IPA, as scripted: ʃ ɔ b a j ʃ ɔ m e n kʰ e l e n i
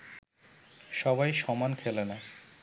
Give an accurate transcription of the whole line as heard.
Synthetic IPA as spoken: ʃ ɔ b a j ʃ ɔ m a n kʰ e l e n a

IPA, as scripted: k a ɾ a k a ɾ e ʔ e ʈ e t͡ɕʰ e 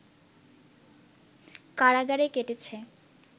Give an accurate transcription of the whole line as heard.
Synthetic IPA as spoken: k a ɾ a ɡ a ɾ e k e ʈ e t͡ɕʰ e

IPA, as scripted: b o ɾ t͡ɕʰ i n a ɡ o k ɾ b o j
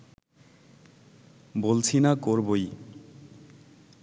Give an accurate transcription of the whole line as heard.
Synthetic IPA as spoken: b o l t͡ɕʰ i n a k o ɾ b o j

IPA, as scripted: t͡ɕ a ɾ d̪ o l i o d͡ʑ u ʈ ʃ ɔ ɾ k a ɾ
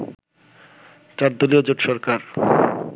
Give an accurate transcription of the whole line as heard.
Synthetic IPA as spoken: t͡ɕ a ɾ d̪ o l i o d͡ʑ o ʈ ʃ ɔ ɾ k a ɾ

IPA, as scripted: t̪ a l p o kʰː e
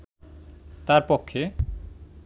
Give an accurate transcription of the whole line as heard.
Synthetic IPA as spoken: t̪ a ɾ p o kʰː e

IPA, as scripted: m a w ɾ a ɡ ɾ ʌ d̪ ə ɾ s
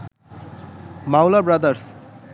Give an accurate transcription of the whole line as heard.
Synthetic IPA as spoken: m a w l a b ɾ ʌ d̪ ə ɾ s

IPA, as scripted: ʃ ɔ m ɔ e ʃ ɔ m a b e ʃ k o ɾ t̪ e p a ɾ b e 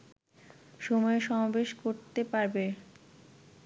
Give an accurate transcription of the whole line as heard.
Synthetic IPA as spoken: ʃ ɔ m ɔ e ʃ ɔ m a b e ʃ k o ɾ t̪ e p a ɾ b e

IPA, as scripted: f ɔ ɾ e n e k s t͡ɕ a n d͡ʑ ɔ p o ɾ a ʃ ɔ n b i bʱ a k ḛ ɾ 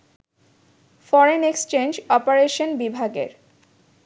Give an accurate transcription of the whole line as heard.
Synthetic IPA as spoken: f ɔ ɾ e n e k s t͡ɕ e n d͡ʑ ɔ p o ɾ e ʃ o n b i bʱ a ɡ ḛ ɾ

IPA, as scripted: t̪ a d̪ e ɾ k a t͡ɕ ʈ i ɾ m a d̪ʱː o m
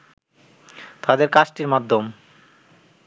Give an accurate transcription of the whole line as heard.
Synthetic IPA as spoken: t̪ a d̪ e ɾ k a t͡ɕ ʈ i ɾ m a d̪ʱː o m

